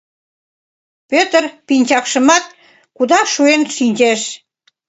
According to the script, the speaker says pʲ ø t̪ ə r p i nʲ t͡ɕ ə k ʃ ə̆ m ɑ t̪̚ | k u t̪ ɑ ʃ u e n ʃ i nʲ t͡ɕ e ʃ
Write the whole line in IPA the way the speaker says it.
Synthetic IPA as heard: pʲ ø t̪ ə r p i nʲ t͡ɕ ɑ k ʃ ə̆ m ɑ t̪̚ | k u d̪ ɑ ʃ u e n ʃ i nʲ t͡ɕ e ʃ